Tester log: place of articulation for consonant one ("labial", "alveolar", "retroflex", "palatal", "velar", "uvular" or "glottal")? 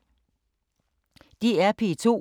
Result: alveolar